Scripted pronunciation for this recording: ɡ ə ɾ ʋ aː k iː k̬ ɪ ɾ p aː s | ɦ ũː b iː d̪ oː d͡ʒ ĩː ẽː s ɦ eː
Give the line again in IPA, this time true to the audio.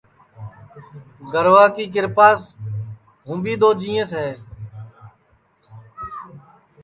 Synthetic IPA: ɡ ə ɾ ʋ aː k iː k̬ ɪ ɾ p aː s | ɦ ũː b iː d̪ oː d͡ʒ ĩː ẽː s ɦ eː